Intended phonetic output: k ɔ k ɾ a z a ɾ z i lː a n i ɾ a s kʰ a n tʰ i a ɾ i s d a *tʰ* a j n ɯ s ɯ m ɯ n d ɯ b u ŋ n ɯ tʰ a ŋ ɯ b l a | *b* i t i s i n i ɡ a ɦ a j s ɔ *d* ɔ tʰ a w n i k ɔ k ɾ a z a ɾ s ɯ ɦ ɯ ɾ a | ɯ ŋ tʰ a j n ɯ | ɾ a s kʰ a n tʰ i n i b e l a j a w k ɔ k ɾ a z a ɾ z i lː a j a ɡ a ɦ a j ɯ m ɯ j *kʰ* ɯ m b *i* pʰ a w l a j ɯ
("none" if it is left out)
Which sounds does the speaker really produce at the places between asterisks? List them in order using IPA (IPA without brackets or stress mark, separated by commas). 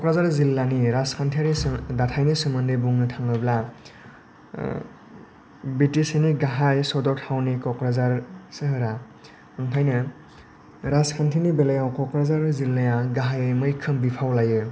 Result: tʰ, b, d, kʰ, i